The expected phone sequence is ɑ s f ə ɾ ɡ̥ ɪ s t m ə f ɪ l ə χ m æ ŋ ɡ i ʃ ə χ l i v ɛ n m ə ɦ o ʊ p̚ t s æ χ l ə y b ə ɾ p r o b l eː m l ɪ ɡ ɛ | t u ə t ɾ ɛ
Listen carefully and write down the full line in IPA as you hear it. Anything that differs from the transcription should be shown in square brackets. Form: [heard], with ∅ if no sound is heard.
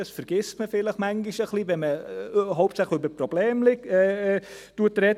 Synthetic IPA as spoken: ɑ s f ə ɾ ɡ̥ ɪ s t m ə f ɪ l ə χ m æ ŋ ɡ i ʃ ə χ l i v ɛ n m ə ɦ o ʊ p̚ t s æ χ l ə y b ə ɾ p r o b l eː m l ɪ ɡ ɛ | t u ə t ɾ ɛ